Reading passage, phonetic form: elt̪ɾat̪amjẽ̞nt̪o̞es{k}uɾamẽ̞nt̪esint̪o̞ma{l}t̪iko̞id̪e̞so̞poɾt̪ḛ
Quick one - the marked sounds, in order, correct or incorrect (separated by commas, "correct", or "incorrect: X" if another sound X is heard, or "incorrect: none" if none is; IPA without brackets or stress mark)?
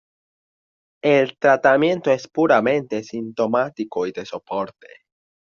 incorrect: p, incorrect: none